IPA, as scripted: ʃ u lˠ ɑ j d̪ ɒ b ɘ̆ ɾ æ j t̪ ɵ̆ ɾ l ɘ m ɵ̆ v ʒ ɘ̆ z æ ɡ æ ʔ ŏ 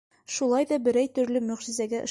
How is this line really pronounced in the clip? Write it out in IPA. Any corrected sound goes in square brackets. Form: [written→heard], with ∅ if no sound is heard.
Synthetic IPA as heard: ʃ u lˠ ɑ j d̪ ɒ b ɘ̆ ɾ æ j t̪ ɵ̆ ɾ l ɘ m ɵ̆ [v→ʁ] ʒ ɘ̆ z æ ɡ æ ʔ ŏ